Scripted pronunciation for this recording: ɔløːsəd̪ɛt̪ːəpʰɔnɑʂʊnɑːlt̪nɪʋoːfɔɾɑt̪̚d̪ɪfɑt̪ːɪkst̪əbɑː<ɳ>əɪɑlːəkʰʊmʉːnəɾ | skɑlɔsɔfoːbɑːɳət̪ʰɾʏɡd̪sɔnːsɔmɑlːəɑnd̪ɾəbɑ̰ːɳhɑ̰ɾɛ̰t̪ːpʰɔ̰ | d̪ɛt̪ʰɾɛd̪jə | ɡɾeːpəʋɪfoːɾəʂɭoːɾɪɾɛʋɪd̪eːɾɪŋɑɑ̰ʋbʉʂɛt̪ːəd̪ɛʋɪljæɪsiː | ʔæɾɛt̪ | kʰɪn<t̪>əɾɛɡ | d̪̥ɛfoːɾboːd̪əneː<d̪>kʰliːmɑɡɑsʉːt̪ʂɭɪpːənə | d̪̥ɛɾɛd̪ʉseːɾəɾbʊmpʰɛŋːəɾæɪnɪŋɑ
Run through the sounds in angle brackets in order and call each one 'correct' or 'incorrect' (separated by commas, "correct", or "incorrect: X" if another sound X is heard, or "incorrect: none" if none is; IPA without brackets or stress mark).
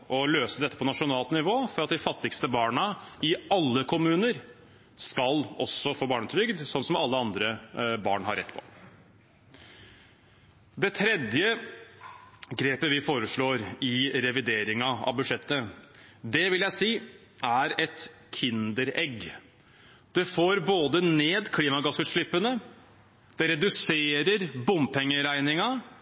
correct, incorrect: d̪, correct